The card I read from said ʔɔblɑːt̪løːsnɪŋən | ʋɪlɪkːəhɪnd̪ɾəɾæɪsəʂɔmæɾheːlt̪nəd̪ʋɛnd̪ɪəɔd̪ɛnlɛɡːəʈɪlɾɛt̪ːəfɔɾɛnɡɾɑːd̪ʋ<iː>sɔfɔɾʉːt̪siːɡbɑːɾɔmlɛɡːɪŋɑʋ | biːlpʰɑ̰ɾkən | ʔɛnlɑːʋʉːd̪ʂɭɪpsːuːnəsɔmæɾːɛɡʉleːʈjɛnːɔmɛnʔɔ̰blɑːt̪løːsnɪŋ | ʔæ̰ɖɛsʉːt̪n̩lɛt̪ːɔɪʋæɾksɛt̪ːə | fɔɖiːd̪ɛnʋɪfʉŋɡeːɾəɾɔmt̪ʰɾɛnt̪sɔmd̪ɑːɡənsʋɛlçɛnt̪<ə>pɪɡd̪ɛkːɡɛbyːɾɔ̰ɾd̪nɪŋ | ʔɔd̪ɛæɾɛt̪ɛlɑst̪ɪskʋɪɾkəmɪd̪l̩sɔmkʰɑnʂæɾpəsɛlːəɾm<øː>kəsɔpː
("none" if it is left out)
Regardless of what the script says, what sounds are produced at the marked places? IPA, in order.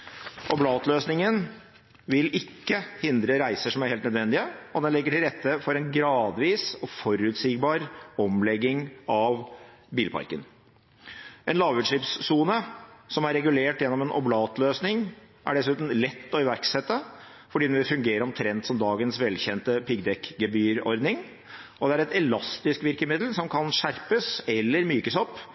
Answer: iː, ə, yː

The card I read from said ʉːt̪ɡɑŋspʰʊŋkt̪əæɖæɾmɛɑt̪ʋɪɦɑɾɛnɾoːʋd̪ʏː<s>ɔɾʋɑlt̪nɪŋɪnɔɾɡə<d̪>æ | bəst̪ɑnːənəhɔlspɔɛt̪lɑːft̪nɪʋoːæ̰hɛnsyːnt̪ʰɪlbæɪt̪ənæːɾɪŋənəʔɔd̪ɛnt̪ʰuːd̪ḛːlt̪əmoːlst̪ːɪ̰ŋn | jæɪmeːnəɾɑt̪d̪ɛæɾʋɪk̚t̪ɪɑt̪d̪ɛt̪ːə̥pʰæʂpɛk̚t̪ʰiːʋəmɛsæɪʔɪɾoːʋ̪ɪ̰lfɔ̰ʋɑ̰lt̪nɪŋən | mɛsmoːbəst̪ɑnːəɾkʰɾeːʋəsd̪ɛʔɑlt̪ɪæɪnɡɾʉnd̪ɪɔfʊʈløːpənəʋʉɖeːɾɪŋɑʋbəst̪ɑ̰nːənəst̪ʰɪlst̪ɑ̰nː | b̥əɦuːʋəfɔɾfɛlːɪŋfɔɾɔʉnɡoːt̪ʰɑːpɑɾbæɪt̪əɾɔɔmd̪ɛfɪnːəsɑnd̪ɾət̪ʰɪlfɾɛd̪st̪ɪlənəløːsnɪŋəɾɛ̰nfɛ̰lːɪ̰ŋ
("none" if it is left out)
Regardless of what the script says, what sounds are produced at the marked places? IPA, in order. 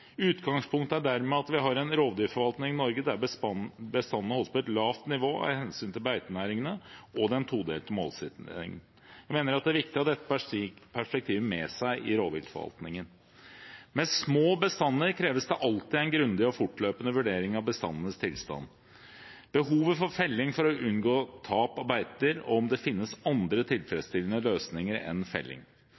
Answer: f, d̪

